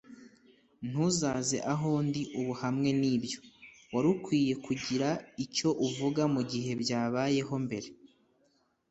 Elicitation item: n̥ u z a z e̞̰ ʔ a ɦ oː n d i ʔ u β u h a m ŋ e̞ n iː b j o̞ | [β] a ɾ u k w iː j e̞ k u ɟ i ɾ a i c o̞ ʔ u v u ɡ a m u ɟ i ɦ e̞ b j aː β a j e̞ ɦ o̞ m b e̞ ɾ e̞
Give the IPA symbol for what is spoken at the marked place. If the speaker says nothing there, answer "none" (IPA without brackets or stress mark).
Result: w